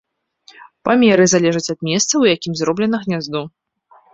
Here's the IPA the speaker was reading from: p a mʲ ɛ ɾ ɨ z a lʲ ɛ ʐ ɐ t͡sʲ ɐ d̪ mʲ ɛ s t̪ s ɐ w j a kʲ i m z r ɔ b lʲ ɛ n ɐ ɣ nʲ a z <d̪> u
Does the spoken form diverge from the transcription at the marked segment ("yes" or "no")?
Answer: no